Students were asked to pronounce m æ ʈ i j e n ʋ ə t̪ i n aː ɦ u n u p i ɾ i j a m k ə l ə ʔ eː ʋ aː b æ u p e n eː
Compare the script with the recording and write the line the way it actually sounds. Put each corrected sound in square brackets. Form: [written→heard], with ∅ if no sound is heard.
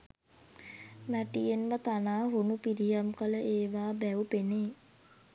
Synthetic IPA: m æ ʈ i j e n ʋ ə t̪ [i→a] n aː ɦ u n u p i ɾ i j a m k ə l ə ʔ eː ʋ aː b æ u p e n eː